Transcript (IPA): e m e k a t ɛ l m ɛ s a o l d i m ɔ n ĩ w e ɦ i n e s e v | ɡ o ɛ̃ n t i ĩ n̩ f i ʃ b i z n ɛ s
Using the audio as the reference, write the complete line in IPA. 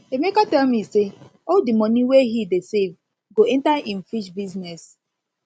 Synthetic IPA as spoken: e m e k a t ɛ l m i s e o l d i m ɔ n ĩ w e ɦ i d e s e v | ɡ o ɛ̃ n t a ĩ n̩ f i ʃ b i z n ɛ s